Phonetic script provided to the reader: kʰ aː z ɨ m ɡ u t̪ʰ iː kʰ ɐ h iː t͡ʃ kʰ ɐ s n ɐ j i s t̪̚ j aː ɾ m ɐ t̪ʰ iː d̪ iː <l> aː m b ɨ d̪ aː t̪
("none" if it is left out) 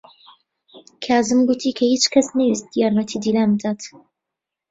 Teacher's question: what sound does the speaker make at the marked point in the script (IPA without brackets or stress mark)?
l